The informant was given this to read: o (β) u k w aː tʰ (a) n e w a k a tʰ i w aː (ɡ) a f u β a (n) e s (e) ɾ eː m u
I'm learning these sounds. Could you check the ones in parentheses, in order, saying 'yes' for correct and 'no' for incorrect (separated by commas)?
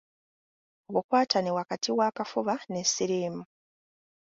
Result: yes, yes, no, yes, no